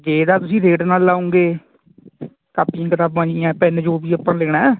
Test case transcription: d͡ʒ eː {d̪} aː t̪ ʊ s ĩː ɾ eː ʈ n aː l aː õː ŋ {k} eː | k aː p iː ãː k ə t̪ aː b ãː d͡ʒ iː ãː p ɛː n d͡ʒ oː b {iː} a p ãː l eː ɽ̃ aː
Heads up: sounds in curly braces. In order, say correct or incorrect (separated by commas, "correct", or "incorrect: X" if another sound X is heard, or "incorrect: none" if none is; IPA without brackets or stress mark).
correct, incorrect: ɡ, correct